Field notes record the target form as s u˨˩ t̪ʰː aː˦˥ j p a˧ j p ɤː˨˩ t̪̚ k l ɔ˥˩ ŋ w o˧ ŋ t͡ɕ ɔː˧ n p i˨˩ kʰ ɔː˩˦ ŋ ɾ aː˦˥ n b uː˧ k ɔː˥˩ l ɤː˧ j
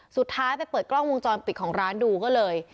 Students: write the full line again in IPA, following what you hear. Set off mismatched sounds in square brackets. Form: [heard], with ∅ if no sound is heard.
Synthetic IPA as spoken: s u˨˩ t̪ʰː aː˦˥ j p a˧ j p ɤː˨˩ t̪̚ k l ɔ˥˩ ŋ w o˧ ŋ t͡ɕ ɔː˧ n p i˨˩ kʰ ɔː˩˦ ŋ ɾ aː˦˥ n [d] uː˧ k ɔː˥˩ l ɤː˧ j